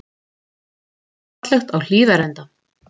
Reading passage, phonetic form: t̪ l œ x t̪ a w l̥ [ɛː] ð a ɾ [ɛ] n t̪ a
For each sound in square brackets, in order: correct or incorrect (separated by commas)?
incorrect, correct